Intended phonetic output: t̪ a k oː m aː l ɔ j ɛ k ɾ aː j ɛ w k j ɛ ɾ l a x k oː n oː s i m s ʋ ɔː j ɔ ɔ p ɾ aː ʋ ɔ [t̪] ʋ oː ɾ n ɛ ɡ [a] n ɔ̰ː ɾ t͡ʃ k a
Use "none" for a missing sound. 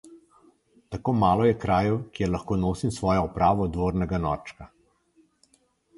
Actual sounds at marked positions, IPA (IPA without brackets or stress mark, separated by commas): d̪, a